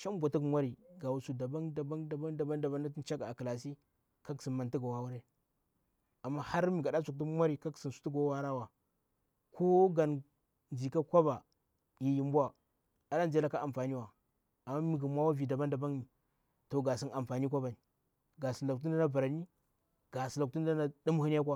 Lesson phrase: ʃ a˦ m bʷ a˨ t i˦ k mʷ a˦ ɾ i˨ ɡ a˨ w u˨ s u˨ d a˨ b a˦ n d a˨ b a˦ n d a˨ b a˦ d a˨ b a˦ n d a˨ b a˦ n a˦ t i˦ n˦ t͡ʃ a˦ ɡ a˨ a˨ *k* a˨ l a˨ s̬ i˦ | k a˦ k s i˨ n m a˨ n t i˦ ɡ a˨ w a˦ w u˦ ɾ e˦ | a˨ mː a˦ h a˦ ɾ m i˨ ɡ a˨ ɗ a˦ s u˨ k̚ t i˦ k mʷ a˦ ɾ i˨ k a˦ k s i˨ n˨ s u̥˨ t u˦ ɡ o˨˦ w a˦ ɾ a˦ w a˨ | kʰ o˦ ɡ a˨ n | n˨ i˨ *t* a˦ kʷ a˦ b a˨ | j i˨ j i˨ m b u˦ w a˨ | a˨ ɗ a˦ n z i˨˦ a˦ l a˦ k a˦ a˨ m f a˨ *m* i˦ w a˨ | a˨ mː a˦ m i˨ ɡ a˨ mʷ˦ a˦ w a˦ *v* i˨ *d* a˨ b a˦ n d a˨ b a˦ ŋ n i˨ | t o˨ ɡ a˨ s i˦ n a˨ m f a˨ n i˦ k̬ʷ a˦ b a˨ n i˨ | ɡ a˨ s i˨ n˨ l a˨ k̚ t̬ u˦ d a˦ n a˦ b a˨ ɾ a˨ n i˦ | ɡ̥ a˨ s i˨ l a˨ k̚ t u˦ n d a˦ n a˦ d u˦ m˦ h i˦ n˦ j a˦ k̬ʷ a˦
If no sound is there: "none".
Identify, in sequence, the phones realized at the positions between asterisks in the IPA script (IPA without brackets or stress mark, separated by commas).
k, k, n, v, d